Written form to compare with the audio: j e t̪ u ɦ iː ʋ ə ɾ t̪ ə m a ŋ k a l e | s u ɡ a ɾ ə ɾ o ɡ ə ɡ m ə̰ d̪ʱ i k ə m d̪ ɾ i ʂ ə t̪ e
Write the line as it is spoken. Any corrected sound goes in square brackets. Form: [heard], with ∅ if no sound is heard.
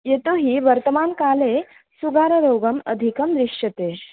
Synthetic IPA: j e t̪ [o] ɦ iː ʋ ə ɾ t̪ ə m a [n] k a l e | s u ɡ a ɾ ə ɾ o ɡ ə [∅] m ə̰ d̪ʱ i k ə m d̪ ɾ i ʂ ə t̪ e